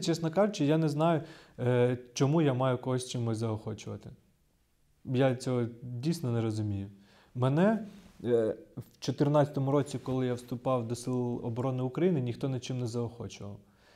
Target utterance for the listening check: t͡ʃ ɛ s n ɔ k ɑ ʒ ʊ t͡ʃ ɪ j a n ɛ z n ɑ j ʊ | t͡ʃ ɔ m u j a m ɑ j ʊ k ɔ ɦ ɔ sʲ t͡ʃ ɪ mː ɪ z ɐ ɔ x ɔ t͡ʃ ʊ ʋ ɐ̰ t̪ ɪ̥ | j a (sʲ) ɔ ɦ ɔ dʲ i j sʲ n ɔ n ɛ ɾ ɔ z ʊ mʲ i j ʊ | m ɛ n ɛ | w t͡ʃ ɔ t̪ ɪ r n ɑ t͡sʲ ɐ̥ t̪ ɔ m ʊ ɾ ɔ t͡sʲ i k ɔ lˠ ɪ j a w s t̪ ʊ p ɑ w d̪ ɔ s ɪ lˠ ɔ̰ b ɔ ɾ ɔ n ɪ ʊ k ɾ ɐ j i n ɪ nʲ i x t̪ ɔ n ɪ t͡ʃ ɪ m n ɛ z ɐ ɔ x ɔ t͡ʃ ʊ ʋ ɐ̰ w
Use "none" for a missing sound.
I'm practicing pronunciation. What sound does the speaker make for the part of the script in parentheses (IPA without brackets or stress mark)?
t͡sʲ